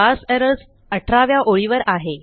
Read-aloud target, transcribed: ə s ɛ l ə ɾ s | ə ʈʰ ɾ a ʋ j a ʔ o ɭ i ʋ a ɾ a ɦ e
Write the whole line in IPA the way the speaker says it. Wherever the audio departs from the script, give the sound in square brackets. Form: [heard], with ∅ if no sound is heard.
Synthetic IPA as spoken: [a] s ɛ [ɾ] ə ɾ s | ə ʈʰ ɾ a ʋ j a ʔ o ɭ i ʋ [ə] ɾ a ɦ e